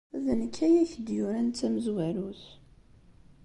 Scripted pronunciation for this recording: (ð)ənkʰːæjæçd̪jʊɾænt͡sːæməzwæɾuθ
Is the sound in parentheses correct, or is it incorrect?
correct